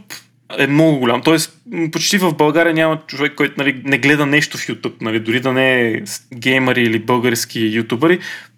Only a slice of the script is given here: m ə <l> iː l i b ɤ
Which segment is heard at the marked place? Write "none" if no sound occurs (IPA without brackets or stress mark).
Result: ɾ